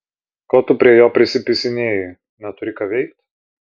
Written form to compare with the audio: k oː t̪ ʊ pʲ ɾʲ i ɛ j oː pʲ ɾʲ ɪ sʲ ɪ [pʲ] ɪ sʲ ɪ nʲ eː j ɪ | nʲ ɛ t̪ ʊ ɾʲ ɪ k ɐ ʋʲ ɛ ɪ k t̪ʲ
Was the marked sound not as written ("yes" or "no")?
no